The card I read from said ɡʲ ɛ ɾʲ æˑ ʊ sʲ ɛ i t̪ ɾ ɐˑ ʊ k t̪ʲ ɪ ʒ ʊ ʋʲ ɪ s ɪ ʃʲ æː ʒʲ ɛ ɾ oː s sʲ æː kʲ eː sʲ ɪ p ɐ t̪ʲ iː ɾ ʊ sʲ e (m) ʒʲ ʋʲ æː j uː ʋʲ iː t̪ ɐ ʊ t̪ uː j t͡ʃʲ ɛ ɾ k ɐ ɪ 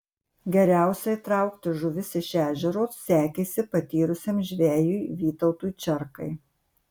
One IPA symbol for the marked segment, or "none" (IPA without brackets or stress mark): m